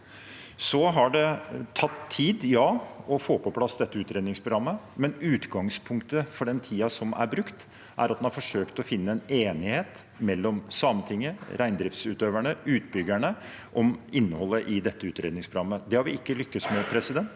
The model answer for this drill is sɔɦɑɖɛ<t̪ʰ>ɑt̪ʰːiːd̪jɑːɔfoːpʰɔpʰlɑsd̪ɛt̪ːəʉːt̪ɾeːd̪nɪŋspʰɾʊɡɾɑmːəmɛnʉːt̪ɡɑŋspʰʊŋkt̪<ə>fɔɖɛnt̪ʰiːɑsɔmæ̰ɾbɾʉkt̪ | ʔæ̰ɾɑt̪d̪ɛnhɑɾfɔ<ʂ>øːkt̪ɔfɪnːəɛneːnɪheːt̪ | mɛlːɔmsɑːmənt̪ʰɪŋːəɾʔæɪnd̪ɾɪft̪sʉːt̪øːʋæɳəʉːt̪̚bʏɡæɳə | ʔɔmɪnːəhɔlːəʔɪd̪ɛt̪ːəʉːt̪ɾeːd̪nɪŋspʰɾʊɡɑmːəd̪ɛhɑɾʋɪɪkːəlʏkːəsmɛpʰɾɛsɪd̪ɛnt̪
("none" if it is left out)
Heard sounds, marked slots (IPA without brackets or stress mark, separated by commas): t̪ʰ, ə, ʂ